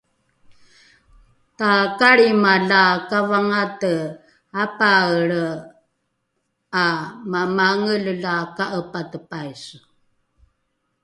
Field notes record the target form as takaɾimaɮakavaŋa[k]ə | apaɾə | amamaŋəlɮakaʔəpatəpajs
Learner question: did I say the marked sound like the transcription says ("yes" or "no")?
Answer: no